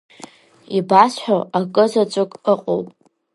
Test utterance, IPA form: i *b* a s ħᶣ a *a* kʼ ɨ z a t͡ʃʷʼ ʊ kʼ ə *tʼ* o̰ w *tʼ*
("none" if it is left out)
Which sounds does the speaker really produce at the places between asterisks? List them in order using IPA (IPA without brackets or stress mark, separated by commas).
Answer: b, a, qʼ, pʼ